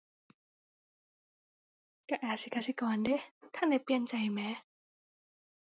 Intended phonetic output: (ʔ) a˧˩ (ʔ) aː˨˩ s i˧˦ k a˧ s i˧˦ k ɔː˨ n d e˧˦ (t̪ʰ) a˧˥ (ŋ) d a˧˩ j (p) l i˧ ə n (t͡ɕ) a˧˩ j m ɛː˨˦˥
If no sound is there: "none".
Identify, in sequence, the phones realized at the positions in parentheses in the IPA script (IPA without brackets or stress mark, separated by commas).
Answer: k, ʔ, t̪ʰ, n, p, t͡ɕ